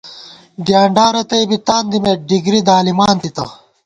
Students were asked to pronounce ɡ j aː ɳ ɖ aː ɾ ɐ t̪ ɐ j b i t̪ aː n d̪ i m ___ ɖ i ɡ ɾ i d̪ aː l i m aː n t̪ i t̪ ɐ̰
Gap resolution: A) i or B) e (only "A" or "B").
B